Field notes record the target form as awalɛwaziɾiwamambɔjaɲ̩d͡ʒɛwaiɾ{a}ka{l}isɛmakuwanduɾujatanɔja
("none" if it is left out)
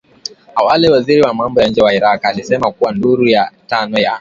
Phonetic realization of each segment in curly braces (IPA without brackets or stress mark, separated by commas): a, l